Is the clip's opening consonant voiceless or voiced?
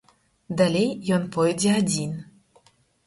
voiced